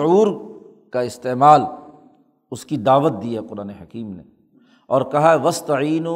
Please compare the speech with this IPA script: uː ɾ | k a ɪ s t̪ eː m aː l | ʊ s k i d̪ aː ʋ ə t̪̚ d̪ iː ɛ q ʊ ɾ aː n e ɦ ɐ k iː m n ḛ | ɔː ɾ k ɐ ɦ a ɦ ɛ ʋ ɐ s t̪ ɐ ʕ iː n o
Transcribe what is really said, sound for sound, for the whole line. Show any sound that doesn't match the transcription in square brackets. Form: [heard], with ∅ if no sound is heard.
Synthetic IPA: uː ɾ | k a ɪ s t̪ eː m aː l | ʊ s k i d̪ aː ʋ ə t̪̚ d̪ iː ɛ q ʊ ɾ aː n e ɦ ɐ k iː m n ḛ | ɔː ɾ k ɐ ɦ a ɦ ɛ ʋ ɐ s t̪ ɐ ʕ iː n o